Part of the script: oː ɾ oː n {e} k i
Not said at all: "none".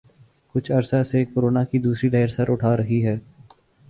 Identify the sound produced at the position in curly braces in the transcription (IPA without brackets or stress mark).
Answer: a